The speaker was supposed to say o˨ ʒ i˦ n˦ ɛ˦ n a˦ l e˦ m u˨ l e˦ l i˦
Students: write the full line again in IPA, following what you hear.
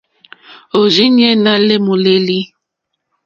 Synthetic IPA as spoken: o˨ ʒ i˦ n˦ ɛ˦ n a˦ l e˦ m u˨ l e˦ l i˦

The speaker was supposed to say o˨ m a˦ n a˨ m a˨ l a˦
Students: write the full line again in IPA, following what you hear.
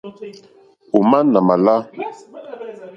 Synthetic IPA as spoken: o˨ m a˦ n a˨ m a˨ l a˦

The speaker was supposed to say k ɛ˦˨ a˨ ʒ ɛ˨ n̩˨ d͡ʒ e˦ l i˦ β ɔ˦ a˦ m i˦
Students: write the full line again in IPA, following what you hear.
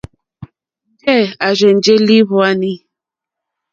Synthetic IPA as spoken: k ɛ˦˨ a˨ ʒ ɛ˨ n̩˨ d͡ʒ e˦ l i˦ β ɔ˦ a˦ n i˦

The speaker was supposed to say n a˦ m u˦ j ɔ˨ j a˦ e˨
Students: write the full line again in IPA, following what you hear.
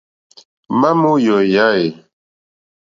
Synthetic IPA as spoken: m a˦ m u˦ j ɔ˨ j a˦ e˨

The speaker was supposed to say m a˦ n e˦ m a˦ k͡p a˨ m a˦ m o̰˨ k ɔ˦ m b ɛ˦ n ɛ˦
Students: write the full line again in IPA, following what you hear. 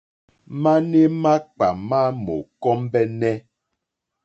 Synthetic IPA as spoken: m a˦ n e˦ m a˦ k͡p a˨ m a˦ m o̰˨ k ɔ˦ m b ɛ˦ n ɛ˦

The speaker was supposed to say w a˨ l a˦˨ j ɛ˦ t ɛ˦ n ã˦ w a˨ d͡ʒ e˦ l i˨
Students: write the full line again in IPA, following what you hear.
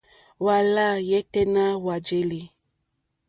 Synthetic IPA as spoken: w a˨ l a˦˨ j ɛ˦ t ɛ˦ n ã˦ w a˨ d͡ʒ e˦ l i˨

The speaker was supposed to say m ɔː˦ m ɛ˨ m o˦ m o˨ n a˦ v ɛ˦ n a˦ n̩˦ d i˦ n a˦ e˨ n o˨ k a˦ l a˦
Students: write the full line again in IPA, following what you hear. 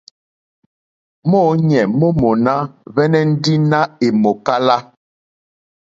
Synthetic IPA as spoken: m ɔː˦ ɲ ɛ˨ m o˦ m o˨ n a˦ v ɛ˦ n ɛ˦ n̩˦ d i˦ n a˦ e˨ m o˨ k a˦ l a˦

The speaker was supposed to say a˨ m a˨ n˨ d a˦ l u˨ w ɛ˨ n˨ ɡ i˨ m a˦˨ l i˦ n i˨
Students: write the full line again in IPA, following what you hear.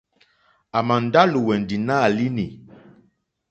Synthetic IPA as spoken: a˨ m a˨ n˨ d a˦ l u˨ w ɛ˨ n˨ d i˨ n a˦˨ l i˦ n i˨

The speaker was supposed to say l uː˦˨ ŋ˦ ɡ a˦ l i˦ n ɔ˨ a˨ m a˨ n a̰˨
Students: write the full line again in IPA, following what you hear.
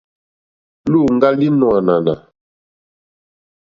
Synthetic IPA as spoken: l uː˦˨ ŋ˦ ɡ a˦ l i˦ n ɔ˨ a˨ n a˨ n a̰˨

